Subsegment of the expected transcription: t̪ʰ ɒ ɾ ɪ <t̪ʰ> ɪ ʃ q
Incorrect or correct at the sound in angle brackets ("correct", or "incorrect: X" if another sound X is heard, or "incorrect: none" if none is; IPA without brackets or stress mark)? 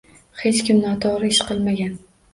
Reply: incorrect: none